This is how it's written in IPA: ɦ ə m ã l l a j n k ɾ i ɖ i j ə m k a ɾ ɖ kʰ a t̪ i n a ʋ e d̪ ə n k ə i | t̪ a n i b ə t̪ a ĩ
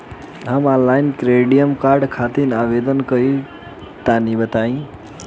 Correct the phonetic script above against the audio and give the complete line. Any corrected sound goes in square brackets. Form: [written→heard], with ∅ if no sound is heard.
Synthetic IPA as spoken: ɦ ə m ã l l a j n k ɾ [i→e] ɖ i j ə m k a ɾ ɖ kʰ a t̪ i n a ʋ e d̪ ə n k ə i | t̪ a n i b ə t̪ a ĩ